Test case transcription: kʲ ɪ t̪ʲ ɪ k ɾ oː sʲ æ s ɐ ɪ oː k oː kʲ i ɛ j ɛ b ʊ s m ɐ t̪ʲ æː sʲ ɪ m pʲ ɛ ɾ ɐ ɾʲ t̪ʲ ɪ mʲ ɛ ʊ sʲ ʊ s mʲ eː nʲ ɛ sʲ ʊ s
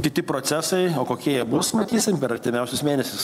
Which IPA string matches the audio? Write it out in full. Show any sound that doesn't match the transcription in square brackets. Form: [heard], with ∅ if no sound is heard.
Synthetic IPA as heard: kʲ ɪ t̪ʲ ɪ [p] ɾ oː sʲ æ s ɐ ɪ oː k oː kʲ i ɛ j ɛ b ʊ s m ɐ t̪ʲ [iː] sʲ ɪ m pʲ ɛ ɾ ɐ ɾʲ t̪ʲ ɪ mʲ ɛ ʊ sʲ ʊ s mʲ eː nʲ ɛ sʲ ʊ s

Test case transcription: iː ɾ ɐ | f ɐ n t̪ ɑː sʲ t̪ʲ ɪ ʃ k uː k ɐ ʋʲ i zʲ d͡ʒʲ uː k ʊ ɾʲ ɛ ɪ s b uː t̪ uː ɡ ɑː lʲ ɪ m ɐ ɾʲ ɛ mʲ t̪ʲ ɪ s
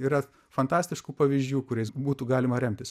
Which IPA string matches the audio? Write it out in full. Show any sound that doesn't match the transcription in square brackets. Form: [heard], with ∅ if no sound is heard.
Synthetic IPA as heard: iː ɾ ɐ | f ɐ n t̪ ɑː sʲ t̪ʲ ɪ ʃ k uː [p] ɐ ʋʲ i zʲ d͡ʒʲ uː k ʊ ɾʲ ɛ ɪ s b uː t̪ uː ɡ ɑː lʲ ɪ m ɐ ɾʲ ɛ mʲ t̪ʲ ɪ s

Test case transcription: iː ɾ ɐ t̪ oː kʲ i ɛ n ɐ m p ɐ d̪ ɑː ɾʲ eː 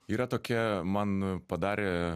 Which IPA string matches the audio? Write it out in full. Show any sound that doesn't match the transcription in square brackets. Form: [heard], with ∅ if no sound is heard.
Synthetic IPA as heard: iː ɾ ɐ t̪ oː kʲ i ɛ [m] ɐ [n] p ɐ d̪ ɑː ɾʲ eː

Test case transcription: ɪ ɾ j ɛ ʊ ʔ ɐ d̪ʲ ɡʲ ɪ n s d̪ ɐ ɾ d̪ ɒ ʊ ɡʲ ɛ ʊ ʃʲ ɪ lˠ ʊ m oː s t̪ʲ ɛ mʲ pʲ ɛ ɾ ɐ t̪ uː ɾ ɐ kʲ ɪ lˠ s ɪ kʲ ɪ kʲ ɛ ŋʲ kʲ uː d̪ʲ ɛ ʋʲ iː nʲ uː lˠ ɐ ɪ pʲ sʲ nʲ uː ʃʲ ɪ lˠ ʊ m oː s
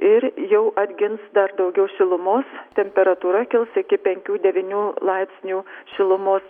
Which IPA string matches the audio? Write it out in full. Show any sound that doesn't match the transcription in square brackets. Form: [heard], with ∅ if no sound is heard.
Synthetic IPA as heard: ɪ ɾ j ɛ ʊ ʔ ɐ d̪ʲ ɡʲ ɪ n s d̪ ɐ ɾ d̪ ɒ ʊ ɡʲ ɛ ʊ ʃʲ ɪ lˠ ʊ m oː s t̪ʲ ɛ mʲ pʲ ɛ ɾ ɐ t̪ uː ɾ ɐ kʲ ɪ lˠ s ɪ kʲ ɪ [pʲ] ɛ ŋʲ kʲ uː d̪ʲ ɛ ʋʲ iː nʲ uː lˠ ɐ ɪ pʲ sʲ nʲ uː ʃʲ ɪ lˠ ʊ m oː s

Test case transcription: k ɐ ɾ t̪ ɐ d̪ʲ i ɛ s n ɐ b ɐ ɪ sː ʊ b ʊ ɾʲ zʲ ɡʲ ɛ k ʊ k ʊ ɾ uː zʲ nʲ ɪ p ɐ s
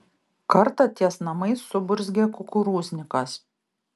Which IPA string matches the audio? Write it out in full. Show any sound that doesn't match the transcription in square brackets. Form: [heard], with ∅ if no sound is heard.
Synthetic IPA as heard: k ɐ ɾ t̪ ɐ [t̪ʲ] i ɛ s n ɐ [m] ɐ ɪ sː ʊ b ʊ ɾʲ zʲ ɡʲ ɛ k ʊ k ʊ ɾ uː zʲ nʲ ɪ [k] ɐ s

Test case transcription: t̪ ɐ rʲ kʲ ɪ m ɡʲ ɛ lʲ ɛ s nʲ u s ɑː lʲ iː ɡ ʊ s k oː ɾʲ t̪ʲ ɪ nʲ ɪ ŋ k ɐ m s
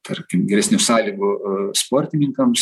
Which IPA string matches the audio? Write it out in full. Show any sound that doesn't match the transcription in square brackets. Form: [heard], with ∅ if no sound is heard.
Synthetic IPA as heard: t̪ ɐ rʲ kʲ ɪ m ɡʲ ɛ [ɾʲ] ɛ s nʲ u s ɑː lʲ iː ɡ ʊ s [p] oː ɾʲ t̪ʲ ɪ nʲ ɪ ŋ k ɐ m s

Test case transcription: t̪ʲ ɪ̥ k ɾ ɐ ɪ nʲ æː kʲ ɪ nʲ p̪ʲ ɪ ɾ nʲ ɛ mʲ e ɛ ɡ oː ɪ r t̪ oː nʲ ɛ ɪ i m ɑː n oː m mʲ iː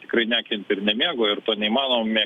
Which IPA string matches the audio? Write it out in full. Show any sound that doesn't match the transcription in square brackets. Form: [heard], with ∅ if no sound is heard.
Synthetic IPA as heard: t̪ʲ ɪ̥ k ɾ ɐ ɪ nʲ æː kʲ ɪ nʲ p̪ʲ ɪ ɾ nʲ ɛ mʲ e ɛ ɡ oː ɪ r t̪ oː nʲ ɛ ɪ i m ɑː n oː m mʲ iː

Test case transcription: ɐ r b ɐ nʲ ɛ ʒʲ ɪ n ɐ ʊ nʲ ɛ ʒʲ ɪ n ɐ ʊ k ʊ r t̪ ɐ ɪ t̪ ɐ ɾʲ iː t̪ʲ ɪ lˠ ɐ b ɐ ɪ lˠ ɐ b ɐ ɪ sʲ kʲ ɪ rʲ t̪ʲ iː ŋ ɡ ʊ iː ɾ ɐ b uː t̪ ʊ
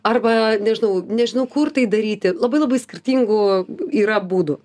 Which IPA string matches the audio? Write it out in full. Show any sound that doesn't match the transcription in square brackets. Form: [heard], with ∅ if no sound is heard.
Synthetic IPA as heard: ɐ r b ɐ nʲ ɛ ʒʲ ɪ n ɐ ʊ nʲ ɛ ʒʲ ɪ n ɐ ʊ k ʊ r t̪ ɐ ɪ [d̪] ɐ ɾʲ iː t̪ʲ ɪ lˠ ɐ b ɐ ɪ lˠ ɐ b ɐ ɪ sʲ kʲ ɪ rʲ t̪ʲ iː ŋ ɡ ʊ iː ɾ ɐ b uː [d̪] ʊ

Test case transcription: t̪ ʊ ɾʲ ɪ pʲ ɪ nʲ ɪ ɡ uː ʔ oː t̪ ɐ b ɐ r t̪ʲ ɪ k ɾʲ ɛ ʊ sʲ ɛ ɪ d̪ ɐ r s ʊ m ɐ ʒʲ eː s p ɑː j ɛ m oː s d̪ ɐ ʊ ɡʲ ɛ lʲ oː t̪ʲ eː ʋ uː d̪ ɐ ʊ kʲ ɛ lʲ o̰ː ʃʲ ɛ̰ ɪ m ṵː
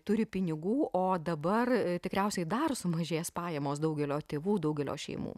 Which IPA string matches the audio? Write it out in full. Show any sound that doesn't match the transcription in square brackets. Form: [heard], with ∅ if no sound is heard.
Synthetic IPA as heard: t̪ ʊ ɾʲ ɪ pʲ ɪ nʲ ɪ ɡ uː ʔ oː [d̪] ɐ b ɐ r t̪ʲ ɪ k ɾʲ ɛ ʊ sʲ ɛ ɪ d̪ ɐ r s ʊ m ɐ ʒʲ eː s p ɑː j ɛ m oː s d̪ ɐ ʊ ɡʲ ɛ lʲ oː t̪ʲ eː ʋ uː d̪ ɐ ʊ [ɡʲ] ɛ lʲ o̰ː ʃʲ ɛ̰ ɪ m ṵː

